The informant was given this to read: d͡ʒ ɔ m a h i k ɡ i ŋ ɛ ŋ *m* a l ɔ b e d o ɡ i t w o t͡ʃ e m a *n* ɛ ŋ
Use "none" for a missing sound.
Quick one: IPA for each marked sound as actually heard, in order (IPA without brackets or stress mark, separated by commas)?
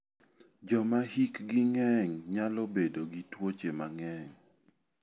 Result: ɲ, ŋ